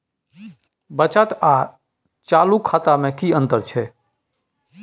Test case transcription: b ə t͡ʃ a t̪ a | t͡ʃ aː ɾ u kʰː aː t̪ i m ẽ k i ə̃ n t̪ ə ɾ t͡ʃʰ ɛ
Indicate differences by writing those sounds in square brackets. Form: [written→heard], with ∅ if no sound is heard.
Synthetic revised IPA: b ə t͡ʃ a t̪ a | t͡ʃ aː [ɾ→l] u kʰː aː t̪ [i→a] m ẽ k i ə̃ n t̪ ə ɾ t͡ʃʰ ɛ